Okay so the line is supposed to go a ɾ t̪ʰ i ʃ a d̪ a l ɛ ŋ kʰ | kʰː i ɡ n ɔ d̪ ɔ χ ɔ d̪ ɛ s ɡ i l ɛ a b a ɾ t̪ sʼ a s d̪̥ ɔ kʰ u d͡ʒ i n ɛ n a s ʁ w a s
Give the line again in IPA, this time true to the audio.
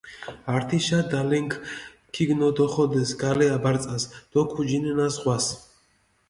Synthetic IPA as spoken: a ɾ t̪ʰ i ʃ a d̪ a l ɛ ŋ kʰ | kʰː i ɡ n ɔ d̪ ɔ χ ɔ d̪ ɛ s ɡ a l ɛ a b a ɾ t̪ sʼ a s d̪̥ ɔ kʰ u d͡ʒ i n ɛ n a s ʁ w a s